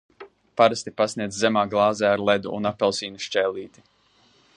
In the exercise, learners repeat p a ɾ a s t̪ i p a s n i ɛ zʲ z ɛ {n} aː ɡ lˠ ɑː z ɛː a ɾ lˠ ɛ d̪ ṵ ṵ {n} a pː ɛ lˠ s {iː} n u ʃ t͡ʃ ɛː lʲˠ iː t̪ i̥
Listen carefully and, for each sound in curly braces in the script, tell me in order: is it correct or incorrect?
incorrect, correct, correct

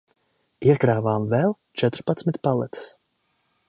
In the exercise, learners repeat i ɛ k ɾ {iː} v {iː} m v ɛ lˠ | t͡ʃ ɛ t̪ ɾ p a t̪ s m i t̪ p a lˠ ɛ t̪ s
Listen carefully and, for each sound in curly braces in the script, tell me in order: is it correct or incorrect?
incorrect, incorrect

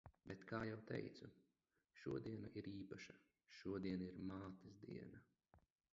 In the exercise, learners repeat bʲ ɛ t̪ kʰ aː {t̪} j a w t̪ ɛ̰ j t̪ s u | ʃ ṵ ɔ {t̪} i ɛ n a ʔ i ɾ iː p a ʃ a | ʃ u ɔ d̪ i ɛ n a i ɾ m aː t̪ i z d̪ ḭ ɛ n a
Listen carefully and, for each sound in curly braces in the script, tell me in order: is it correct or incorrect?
incorrect, incorrect

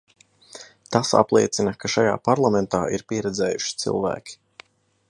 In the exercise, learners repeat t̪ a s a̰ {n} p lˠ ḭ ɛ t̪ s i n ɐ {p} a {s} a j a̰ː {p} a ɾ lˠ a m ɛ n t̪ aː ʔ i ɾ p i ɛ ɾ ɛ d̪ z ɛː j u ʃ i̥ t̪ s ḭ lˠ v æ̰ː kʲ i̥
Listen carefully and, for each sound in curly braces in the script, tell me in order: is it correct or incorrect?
incorrect, incorrect, incorrect, correct

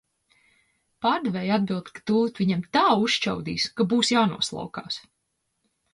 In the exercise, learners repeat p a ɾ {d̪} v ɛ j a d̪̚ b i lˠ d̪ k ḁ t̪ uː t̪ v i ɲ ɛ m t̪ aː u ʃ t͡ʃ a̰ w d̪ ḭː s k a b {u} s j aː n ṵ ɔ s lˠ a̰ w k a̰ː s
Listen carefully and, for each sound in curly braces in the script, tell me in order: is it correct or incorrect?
correct, incorrect

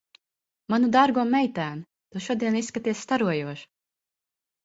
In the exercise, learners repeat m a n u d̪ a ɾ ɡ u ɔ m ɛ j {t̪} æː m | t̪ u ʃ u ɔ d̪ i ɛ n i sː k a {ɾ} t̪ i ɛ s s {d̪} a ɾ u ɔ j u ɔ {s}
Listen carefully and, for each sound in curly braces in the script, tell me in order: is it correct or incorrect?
correct, incorrect, incorrect, incorrect

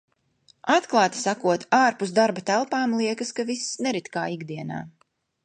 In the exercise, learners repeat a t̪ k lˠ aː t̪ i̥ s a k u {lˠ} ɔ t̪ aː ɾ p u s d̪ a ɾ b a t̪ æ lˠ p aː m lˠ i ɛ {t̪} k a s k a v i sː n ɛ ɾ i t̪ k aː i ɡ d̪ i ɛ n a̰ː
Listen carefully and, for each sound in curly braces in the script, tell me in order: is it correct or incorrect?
incorrect, incorrect

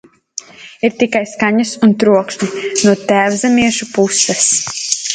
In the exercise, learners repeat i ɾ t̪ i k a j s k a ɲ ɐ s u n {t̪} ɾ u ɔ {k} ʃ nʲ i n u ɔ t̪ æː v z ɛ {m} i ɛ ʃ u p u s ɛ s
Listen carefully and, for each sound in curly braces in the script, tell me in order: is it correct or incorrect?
correct, correct, correct

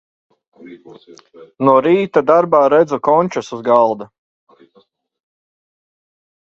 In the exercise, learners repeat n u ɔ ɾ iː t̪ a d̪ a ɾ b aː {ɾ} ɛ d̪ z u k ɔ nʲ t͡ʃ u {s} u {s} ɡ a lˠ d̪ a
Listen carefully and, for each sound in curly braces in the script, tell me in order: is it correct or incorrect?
correct, correct, incorrect

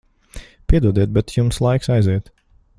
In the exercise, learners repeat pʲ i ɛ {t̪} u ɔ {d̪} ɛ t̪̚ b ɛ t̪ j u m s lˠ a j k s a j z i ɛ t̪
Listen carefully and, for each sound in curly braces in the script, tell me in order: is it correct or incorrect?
incorrect, correct

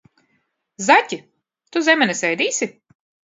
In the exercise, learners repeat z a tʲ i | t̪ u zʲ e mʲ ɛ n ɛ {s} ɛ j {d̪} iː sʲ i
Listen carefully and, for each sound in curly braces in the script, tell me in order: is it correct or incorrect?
correct, correct

